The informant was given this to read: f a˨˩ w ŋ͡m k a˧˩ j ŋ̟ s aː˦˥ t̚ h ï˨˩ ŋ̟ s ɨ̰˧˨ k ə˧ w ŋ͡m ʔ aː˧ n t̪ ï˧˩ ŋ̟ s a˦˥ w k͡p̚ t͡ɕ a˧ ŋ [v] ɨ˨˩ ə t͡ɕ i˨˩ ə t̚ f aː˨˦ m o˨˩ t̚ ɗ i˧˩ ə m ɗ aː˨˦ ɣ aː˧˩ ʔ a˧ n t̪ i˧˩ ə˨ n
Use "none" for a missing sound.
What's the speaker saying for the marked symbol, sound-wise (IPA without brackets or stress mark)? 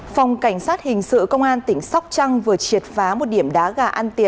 v